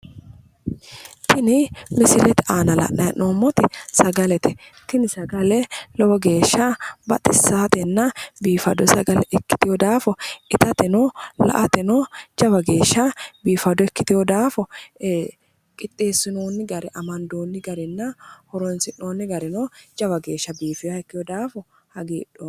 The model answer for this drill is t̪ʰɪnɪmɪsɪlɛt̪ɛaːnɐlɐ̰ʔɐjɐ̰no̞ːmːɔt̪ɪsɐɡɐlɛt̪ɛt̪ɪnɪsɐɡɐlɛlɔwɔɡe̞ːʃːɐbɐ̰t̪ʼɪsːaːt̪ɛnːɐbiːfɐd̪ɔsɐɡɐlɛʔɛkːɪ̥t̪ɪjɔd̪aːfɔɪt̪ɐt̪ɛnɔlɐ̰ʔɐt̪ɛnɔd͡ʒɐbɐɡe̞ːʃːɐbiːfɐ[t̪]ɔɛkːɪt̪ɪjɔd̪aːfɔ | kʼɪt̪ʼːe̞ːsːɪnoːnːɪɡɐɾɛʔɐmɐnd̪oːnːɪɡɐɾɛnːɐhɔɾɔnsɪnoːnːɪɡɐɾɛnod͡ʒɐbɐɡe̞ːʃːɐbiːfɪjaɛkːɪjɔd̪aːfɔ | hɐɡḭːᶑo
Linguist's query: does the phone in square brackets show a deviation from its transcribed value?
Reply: yes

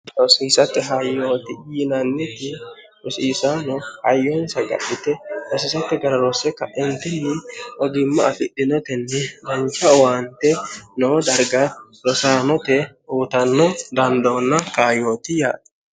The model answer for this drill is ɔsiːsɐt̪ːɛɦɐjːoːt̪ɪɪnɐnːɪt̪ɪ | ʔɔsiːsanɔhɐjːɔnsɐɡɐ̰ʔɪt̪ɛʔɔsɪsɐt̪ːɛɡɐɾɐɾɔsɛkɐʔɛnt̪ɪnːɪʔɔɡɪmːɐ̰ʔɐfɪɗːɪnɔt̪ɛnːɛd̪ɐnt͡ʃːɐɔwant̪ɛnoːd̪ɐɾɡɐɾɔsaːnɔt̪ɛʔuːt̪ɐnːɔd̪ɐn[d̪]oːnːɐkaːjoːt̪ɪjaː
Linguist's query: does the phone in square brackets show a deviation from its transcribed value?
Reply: no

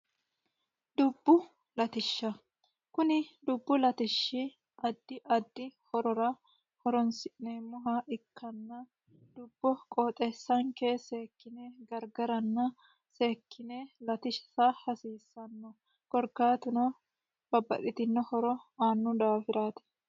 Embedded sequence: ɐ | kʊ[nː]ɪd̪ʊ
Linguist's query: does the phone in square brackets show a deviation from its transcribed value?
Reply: yes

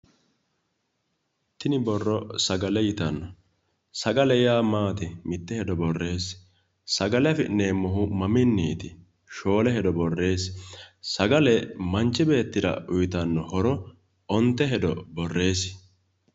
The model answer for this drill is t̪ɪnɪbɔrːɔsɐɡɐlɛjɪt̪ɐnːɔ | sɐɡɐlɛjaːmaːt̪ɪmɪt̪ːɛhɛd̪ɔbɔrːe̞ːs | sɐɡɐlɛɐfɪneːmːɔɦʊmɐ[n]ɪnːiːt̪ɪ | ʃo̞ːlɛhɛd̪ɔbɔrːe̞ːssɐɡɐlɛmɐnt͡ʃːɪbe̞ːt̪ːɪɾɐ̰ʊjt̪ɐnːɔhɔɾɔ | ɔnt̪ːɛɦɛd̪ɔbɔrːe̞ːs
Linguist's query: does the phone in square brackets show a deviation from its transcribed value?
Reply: yes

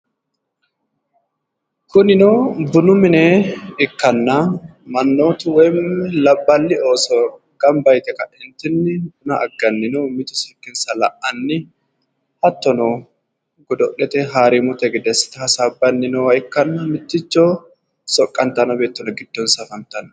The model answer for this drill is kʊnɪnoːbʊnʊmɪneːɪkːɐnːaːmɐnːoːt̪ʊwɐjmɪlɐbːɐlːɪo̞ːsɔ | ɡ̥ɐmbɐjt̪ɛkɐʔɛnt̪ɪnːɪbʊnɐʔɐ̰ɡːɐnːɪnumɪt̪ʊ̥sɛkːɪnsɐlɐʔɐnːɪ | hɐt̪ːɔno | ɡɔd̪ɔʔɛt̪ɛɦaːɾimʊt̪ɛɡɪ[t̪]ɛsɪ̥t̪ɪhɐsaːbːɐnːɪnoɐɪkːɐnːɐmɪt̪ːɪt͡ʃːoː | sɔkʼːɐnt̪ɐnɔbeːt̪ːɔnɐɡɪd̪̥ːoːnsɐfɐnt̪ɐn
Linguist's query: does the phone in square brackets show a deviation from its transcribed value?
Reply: yes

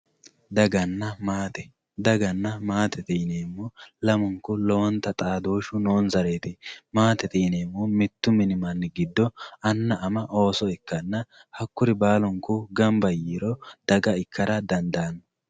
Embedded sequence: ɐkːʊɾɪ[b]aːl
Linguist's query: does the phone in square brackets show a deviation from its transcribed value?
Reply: no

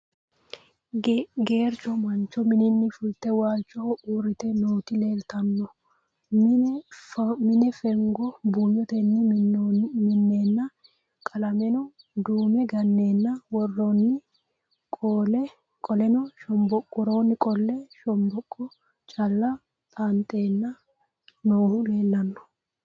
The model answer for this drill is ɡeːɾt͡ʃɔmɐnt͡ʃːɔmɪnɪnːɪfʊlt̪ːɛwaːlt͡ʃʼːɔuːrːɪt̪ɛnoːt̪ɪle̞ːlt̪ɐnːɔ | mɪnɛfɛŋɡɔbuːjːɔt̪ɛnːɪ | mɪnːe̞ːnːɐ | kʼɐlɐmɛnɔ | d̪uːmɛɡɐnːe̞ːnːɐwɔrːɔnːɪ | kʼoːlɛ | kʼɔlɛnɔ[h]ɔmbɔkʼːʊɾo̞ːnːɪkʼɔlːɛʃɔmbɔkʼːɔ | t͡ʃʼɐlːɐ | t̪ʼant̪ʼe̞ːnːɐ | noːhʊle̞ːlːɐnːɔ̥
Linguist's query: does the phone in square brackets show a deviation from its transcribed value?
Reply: yes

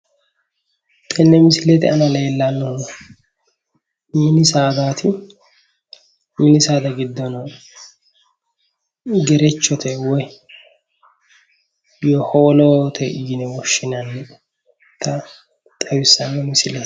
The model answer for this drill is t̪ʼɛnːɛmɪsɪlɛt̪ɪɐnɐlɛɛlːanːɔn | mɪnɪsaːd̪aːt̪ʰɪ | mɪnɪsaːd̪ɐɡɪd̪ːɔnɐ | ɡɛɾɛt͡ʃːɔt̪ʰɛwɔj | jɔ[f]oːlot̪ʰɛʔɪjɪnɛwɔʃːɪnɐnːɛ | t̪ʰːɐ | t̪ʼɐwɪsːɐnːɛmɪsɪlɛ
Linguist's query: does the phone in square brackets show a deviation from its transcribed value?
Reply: yes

